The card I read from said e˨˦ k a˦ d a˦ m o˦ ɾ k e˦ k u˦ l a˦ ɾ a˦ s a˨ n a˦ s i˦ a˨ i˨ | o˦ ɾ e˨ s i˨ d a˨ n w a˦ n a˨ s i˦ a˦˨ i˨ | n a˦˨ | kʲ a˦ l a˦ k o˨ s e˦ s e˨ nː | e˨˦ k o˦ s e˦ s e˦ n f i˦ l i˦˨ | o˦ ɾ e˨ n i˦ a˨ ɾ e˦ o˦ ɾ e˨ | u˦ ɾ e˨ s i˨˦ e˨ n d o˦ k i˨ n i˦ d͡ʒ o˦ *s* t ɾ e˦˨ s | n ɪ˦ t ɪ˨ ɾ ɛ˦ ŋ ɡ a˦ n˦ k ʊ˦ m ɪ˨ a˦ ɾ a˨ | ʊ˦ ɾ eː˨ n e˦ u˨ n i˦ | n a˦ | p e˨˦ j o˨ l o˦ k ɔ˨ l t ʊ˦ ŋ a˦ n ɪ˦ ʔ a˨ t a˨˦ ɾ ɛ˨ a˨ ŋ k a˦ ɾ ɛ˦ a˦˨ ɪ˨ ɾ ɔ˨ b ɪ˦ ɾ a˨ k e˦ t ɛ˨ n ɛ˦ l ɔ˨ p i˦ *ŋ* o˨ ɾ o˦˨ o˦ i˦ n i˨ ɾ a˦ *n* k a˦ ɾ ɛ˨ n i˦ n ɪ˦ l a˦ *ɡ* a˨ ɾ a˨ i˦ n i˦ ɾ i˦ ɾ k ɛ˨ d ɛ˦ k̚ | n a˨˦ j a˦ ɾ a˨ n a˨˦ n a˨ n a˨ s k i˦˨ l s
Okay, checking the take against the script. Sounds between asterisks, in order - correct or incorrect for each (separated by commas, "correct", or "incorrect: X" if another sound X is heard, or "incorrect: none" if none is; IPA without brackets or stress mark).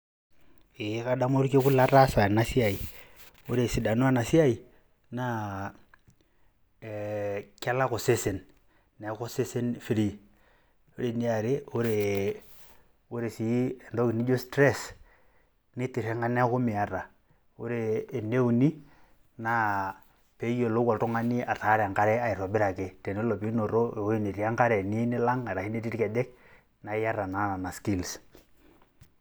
correct, incorrect: n, incorrect: ŋ, incorrect: ŋ